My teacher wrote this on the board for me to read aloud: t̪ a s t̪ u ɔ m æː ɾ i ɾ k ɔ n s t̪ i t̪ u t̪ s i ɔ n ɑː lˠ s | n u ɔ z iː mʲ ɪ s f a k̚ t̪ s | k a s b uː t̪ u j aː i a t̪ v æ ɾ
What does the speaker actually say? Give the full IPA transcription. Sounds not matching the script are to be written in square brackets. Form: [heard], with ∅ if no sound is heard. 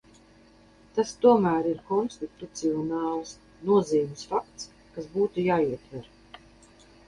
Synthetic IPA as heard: t̪ a s t̪ u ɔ m æː ɾ i ɾ k ɔ n s t̪ i t̪ u t̪ s i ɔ n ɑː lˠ s | n u ɔ z iː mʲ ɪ s f a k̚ t̪ s | k a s b uː t̪ u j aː i [ɛ] t̪ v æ ɾ

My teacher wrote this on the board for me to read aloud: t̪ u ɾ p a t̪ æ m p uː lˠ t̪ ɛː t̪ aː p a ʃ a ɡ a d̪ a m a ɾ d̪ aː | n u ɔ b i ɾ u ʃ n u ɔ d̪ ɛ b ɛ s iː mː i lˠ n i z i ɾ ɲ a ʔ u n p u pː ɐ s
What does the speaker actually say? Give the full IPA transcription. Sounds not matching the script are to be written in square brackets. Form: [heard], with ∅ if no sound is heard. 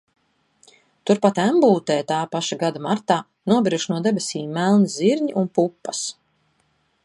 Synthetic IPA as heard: t̪ u ɾ p a t̪ æ m [b] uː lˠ t̪ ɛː t̪ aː p a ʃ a ɡ a d̪ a m a ɾ [t̪] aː | n u ɔ b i ɾ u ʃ n u ɔ d̪ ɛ b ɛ s iː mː [æ] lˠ n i z i ɾ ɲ [i] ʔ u n p u pː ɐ s

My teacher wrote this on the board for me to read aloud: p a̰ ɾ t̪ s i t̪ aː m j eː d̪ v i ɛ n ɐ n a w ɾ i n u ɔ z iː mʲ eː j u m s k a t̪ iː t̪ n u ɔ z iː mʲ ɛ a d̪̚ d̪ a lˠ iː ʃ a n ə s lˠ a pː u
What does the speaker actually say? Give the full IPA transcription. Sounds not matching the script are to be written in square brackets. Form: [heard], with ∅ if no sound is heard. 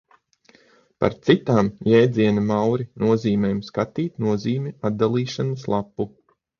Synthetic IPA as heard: p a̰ ɾ t̪ s i t̪ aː m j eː d̪ [z] i ɛ n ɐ [m] a w ɾ i n u ɔ z iː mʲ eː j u m s k a t̪ iː t̪ n u ɔ z iː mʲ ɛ a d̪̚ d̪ a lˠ iː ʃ a n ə s lˠ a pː u

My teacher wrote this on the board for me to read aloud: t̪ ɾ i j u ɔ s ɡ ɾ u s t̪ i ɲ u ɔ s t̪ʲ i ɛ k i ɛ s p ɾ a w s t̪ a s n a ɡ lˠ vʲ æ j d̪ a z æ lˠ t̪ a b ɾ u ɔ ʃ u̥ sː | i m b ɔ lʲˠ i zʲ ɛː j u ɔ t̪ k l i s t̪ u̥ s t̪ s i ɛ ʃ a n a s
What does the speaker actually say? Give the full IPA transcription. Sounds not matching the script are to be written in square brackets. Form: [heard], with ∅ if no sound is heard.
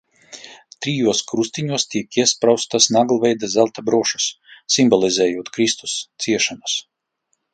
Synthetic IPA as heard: t̪ ɾ i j u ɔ s [k] ɾ u s t̪ i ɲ u ɔ s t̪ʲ i ɛ k i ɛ s p ɾ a w s t̪ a s n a ɡ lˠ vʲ [ɛ] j d̪ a z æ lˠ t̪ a b ɾ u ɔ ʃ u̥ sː | i m b ɔ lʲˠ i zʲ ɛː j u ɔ t̪ k [ɾ] i s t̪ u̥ s t̪ s i ɛ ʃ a n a s

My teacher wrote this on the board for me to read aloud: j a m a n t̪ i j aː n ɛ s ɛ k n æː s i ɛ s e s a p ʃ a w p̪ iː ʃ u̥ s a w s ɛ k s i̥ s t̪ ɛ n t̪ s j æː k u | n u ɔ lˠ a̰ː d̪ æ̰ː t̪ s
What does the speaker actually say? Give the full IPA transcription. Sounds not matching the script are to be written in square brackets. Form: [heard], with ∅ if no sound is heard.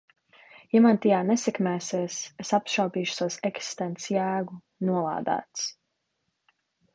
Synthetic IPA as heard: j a m a n t̪ i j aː n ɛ s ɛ k [m] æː s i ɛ s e s a p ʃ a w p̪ iː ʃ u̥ s a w s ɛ k s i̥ s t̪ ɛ n t̪ s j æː [ɡ] u | n u ɔ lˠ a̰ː d̪ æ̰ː t̪ s

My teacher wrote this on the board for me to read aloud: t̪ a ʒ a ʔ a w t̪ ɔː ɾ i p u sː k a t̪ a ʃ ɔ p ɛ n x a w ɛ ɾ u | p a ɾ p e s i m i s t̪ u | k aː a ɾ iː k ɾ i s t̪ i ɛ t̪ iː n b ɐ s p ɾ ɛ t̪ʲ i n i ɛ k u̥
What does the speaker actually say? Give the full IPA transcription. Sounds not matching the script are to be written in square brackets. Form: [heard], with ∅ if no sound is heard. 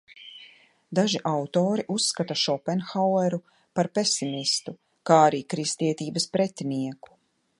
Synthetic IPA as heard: [d̪] a ʒ [i] ʔ a w t̪ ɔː ɾ i [ʔ] u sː k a t̪ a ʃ ɔ p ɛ n x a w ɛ ɾ u | p a ɾ p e s i m i s t̪ u | k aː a ɾ iː k ɾ i s t̪ i ɛ t̪ iː [∅] b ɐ s p ɾ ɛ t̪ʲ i n i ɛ k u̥

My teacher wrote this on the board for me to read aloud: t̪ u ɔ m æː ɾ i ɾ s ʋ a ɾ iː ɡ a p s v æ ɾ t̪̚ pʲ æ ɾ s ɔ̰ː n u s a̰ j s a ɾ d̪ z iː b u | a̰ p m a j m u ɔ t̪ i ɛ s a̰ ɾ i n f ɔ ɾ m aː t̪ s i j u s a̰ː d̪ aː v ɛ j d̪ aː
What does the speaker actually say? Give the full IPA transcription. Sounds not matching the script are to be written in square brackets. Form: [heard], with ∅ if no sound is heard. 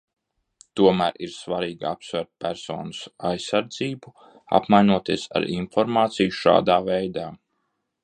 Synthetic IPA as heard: t̪ u ɔ m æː ɾ i ɾ s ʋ a ɾ iː ɡ a p s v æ ɾ t̪̚ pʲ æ ɾ s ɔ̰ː n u s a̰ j s a ɾ d̪ z iː b u | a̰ p m a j [n] u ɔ t̪ i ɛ s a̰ ɾ i n f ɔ ɾ m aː t̪ s i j u [ʃ] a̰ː d̪ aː v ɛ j d̪ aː

